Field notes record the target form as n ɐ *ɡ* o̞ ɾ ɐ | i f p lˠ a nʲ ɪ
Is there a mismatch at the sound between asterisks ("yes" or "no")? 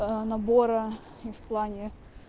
yes